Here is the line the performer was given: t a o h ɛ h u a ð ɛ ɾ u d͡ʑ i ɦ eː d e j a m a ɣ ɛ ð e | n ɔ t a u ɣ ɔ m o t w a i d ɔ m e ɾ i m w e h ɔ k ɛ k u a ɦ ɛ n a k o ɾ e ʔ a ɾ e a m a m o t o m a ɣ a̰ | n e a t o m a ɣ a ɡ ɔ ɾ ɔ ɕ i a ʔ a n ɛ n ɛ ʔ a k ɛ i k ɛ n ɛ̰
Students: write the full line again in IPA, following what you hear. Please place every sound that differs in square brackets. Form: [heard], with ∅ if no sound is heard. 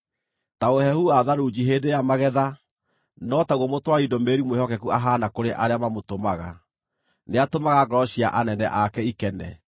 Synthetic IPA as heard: t a o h ɛ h u a ð [a] ɾ u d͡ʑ i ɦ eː d e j a m a ɣ ɛ ð [a] | n ɔ t a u ɣ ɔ m o t w a i d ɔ m e ɾ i m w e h ɔ k ɛ k u a ɦ [a] n a k o ɾ e ʔ a ɾ e a m a m o t o m a ɣ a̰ | n e a t o m a ɣ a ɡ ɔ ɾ ɔ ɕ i a ʔ a n ɛ n ɛ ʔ a k ɛ i k ɛ n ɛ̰